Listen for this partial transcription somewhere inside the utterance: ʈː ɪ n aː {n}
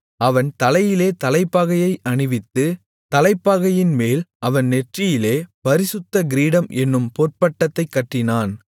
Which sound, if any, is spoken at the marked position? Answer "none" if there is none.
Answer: n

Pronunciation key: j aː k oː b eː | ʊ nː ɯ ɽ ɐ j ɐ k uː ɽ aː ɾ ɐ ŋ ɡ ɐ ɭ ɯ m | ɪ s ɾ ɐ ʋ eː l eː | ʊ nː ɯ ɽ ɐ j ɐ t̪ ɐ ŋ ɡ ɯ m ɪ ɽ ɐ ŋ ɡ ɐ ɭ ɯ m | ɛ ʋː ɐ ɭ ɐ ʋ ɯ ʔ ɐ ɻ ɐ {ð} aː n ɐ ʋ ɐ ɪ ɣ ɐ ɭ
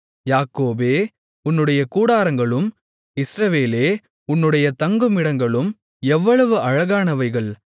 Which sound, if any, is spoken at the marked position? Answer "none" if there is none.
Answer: ɣ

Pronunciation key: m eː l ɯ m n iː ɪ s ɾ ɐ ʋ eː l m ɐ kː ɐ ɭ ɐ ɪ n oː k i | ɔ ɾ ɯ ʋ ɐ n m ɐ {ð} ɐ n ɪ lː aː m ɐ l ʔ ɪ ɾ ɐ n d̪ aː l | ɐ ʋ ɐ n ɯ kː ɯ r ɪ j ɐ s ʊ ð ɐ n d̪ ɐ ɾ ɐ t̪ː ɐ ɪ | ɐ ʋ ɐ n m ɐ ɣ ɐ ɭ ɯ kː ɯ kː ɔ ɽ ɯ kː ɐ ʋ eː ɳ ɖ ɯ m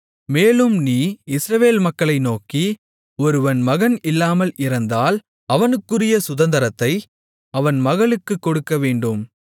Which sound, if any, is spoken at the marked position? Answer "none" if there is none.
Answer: ɣ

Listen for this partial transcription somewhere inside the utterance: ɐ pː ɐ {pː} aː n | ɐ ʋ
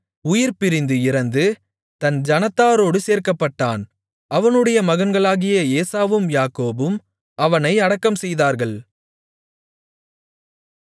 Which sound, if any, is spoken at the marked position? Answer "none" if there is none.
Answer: ʈː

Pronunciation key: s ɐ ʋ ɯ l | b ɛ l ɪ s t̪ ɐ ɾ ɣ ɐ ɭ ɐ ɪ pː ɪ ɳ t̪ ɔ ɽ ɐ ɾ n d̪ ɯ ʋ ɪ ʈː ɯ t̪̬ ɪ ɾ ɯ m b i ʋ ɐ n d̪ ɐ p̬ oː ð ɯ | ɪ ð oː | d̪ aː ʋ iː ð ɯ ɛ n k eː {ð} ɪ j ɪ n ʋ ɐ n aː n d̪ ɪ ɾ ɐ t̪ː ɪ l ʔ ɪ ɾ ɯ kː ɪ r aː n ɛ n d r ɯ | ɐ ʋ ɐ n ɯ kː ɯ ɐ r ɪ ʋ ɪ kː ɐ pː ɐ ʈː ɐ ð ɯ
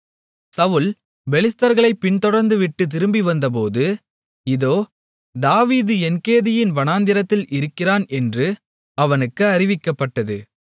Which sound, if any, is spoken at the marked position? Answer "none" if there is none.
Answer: ð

